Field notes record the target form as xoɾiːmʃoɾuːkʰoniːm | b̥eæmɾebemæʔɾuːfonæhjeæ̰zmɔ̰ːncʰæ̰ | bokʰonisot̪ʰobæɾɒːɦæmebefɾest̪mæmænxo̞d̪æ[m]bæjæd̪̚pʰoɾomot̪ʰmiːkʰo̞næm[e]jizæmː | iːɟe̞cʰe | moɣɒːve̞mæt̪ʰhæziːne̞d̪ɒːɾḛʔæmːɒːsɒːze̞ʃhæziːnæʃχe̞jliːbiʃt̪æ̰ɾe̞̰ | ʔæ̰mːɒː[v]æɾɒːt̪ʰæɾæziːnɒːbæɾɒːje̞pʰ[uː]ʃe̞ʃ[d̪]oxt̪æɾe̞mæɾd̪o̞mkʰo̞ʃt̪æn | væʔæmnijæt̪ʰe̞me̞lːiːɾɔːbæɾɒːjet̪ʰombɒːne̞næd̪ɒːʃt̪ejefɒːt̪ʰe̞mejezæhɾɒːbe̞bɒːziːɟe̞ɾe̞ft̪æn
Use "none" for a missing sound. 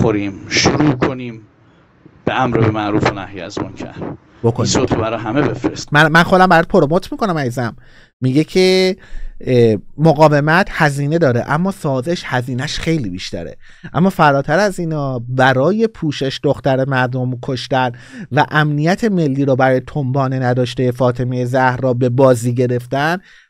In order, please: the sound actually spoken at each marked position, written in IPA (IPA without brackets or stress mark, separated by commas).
m, æ, f, uː, d̪